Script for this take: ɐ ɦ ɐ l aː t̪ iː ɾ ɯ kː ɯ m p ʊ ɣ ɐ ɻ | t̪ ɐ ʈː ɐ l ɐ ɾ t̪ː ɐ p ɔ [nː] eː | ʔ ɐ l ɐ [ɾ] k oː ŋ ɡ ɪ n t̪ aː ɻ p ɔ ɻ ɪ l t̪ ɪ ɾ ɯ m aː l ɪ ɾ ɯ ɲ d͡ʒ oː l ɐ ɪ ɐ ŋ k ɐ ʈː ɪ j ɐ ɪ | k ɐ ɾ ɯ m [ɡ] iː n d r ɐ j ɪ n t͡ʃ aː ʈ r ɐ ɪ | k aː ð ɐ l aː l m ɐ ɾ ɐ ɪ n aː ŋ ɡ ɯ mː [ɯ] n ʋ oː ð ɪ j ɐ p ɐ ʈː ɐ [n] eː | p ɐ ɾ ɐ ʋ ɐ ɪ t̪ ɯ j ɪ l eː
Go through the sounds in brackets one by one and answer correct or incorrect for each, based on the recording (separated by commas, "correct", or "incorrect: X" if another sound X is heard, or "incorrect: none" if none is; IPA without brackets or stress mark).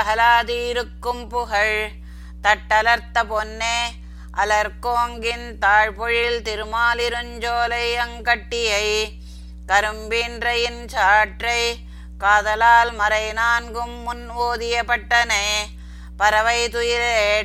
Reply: correct, correct, incorrect: b, incorrect: ʊ, correct